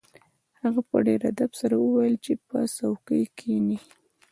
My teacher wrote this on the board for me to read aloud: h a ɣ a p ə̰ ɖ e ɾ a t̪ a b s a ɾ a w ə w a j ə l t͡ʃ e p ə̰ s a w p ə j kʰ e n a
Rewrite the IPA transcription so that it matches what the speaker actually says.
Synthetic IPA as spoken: h a ɣ a p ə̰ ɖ e ɾ a d̪ a b s a ɾ a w ə w a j ə l t͡ʃ e p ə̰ s a w k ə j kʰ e n i